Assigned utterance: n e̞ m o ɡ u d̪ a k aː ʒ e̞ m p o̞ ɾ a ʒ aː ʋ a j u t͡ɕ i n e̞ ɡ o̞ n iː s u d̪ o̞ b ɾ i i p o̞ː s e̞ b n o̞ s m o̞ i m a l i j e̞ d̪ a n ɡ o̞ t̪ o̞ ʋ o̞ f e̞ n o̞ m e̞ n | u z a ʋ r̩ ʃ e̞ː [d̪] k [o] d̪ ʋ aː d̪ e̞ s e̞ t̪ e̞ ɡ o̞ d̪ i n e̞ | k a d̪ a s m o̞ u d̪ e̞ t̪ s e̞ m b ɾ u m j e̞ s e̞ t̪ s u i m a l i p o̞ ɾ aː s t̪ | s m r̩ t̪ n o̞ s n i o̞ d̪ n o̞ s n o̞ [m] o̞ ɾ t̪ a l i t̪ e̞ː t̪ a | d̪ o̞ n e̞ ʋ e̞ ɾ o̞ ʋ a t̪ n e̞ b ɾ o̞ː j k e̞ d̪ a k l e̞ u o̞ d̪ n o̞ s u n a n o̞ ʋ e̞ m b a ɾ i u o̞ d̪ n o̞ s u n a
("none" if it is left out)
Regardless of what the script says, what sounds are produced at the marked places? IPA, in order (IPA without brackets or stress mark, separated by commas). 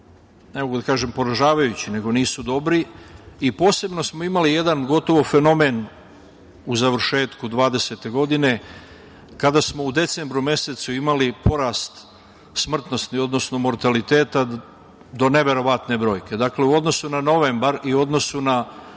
t̪, u, m